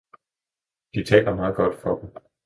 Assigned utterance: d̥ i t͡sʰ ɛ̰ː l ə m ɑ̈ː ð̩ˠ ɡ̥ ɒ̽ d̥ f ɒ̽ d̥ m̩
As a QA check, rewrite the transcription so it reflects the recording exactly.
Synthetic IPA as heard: d̥ i t͡sʰ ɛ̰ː l ɐ m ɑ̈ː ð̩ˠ ɡ̥ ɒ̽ d̥ f ɒ̽ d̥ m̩